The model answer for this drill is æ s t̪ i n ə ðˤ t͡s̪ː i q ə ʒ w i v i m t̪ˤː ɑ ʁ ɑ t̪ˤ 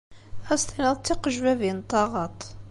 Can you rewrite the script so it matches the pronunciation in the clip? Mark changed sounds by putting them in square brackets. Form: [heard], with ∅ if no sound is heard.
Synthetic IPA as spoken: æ s t̪ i n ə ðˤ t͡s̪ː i q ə ʒ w [æ] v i [n] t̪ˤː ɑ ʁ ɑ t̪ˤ